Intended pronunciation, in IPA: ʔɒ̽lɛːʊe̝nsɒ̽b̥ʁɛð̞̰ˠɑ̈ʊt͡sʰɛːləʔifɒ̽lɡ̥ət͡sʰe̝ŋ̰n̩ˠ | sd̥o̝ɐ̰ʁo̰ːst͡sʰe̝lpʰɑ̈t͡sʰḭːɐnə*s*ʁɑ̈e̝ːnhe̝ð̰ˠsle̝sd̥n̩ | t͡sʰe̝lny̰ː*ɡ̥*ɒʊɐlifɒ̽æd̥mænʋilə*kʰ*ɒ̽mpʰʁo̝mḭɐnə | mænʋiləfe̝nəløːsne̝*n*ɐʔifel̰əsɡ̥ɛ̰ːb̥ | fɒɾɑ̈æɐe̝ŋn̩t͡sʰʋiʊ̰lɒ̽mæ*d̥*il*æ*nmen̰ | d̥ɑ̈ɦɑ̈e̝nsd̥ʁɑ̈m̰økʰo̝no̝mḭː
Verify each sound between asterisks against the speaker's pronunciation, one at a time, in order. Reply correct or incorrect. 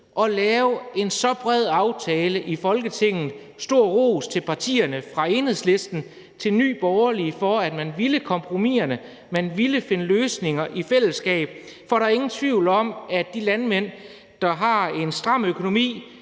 incorrect: f, incorrect: b̥, correct, incorrect: ŋ, correct, correct

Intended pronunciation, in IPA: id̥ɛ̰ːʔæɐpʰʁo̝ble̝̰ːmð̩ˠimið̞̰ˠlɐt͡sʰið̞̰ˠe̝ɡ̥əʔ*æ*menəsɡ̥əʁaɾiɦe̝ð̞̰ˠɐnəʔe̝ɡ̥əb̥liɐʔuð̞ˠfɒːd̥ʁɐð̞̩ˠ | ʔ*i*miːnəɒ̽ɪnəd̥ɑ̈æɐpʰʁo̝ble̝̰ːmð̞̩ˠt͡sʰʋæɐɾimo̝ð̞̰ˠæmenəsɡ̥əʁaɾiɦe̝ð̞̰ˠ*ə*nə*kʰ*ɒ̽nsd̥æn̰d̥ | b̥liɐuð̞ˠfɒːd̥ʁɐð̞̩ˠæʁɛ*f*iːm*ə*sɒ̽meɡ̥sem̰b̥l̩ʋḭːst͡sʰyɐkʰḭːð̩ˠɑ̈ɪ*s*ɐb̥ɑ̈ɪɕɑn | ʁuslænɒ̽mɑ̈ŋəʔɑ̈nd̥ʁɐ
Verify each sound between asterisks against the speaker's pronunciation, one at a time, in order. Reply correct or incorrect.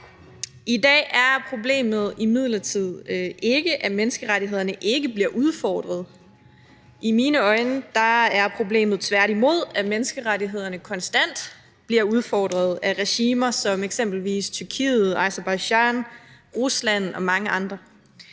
correct, correct, incorrect: ɐ, correct, incorrect: ɕ, incorrect: ɐ, correct

